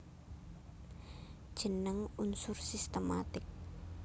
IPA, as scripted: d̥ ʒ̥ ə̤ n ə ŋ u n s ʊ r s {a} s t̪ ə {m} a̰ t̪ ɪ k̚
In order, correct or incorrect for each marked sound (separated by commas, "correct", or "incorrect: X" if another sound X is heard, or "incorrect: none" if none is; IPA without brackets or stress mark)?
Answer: incorrect: i, correct